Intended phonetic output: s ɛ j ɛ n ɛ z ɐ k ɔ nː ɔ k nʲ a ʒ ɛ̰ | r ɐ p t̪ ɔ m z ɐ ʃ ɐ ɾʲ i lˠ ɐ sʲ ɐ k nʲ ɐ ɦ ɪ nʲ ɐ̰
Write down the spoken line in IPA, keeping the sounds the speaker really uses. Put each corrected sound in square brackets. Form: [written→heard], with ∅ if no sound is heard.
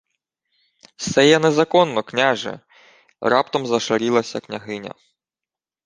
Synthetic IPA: s ɛ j ɛ n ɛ z ɐ k ɔ nː ɔ k nʲ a ʒ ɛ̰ | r [ɐ→ɑ] p t̪ ɔ m z ɐ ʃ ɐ ɾʲ i lˠ ɐ sʲ ɐ k nʲ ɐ ɦ ɪ nʲ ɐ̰